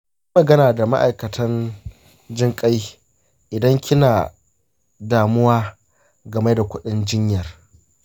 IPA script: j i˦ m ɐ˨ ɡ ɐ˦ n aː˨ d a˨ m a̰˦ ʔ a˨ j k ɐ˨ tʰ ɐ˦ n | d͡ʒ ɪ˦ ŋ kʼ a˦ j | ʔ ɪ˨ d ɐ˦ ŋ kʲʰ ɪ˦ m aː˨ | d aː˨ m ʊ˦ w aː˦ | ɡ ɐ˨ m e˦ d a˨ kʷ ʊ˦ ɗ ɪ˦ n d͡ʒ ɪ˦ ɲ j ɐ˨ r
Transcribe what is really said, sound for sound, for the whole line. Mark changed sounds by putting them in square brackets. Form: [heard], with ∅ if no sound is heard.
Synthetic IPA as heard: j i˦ m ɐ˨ ɡ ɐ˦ n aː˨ d a˨ m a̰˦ ʔ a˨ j k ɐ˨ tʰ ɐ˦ n | d͡ʒ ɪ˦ ŋ kʼ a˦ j | ʔ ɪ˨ d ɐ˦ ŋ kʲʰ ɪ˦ [n] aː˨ | d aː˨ m ʊ˦ w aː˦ | ɡ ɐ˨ m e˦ d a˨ kʷ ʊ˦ ɗ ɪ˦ n d͡ʒ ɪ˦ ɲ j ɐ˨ r